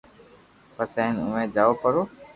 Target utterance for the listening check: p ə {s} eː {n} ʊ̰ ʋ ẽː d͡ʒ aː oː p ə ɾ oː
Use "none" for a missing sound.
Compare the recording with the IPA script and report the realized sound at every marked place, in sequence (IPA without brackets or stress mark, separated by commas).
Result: s, n